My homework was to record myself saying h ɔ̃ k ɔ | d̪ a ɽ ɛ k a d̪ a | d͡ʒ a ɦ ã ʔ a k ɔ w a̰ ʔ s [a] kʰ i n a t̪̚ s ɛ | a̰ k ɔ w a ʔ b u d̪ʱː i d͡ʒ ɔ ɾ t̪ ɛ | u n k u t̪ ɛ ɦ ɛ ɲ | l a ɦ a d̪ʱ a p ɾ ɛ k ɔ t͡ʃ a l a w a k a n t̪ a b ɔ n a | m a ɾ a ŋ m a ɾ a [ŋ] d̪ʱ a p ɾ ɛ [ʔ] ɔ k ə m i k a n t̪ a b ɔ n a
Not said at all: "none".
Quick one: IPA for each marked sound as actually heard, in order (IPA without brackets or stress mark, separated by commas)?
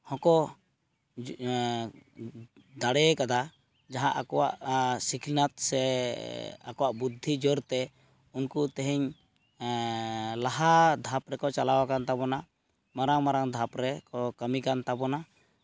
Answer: i, ŋ, k